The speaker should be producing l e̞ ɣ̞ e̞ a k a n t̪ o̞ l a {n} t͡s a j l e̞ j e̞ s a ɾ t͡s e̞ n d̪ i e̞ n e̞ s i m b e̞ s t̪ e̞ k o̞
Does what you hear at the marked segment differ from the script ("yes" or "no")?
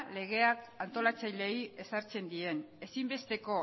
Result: yes